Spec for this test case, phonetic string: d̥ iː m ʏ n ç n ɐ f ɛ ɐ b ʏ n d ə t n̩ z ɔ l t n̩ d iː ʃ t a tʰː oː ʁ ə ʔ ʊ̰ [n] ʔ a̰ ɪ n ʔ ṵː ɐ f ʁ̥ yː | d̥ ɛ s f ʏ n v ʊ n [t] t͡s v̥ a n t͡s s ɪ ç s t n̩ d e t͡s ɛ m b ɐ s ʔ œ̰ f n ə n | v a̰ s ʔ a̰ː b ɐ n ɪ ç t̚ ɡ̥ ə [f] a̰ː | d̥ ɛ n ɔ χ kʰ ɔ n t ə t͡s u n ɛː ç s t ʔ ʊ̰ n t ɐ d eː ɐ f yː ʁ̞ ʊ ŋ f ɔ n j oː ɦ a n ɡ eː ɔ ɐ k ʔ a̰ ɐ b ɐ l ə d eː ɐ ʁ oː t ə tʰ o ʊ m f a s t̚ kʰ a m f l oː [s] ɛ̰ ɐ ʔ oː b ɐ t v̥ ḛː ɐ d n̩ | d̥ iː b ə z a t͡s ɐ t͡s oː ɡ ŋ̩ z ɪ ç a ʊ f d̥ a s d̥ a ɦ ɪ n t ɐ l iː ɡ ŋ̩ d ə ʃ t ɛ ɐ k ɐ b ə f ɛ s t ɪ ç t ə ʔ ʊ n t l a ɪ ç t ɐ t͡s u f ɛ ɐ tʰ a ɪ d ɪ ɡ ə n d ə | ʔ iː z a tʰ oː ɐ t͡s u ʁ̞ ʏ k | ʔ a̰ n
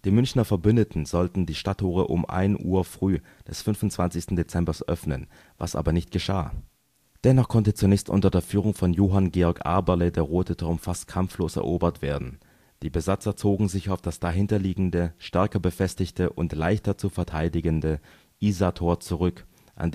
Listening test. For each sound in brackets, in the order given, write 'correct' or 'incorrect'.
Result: incorrect, correct, incorrect, correct

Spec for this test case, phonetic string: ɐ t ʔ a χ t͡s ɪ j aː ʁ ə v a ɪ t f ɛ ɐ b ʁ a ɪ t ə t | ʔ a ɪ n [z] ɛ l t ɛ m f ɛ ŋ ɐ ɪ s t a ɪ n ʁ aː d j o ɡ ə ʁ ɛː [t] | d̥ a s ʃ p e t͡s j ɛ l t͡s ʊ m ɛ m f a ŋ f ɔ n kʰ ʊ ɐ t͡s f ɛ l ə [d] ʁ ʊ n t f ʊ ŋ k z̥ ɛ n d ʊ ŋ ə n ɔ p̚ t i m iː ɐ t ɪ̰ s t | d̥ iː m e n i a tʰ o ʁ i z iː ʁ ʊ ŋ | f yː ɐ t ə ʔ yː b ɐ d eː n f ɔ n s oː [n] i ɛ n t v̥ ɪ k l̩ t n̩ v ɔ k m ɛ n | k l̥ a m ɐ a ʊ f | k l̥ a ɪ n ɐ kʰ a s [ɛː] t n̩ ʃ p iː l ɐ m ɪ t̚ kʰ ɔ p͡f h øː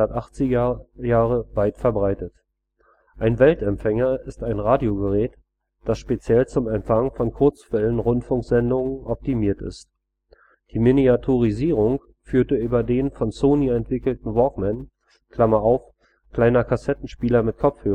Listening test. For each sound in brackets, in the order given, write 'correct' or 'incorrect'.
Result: incorrect, correct, incorrect, correct, incorrect

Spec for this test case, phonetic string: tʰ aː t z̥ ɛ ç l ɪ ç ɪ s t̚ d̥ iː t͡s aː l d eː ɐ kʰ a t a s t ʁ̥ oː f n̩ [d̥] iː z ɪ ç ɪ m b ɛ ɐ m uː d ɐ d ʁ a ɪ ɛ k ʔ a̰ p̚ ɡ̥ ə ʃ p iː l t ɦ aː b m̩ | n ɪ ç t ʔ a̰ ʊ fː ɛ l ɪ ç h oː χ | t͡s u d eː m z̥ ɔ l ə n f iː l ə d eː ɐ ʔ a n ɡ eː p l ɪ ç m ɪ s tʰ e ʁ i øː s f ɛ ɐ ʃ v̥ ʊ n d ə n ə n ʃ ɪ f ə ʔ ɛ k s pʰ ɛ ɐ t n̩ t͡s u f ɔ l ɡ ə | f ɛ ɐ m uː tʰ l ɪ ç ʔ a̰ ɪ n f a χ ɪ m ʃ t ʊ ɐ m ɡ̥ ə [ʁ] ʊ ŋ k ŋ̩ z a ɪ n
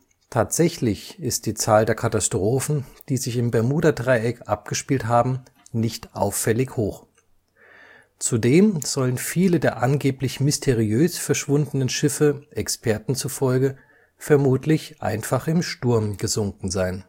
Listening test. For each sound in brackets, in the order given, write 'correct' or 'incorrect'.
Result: correct, incorrect

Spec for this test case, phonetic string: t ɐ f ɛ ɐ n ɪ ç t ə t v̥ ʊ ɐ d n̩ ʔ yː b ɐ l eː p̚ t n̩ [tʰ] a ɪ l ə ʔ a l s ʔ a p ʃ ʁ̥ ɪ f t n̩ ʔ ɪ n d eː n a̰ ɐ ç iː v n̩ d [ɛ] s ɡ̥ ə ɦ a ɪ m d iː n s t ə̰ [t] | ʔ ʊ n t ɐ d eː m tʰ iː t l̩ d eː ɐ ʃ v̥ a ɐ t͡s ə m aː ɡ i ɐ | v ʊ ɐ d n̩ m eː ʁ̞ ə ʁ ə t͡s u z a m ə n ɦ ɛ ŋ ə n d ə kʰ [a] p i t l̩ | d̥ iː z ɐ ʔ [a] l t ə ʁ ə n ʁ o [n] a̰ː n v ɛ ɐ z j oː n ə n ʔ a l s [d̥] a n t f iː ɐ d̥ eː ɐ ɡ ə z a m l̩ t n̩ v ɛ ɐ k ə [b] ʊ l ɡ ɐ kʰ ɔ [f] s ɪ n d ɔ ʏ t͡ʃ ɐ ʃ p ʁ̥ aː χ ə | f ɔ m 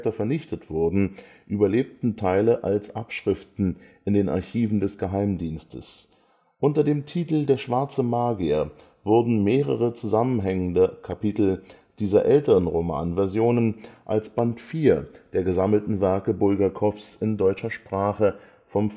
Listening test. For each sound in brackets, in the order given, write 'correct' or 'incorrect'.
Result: correct, correct, incorrect, correct, incorrect, incorrect, incorrect, correct, correct

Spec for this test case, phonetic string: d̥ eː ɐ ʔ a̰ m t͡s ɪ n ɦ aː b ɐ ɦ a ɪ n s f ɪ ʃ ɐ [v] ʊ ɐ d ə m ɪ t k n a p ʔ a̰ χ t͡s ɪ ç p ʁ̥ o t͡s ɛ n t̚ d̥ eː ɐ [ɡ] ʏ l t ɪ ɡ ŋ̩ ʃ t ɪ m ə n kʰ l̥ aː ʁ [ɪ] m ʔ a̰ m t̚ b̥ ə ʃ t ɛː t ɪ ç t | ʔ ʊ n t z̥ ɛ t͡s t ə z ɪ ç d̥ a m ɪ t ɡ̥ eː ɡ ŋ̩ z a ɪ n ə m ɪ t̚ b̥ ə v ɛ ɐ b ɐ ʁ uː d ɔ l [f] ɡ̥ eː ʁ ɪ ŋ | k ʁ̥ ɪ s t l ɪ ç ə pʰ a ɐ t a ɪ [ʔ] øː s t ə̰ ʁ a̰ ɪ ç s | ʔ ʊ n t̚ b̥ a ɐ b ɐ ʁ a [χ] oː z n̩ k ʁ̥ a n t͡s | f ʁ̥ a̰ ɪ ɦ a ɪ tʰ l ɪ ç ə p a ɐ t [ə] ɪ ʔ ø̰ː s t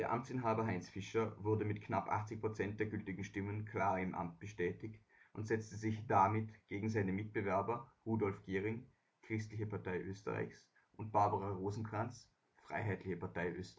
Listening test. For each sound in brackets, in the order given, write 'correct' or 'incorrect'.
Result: correct, correct, correct, correct, correct, incorrect, incorrect

